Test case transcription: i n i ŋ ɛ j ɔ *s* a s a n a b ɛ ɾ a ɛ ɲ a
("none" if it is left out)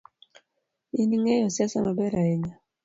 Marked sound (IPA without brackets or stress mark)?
s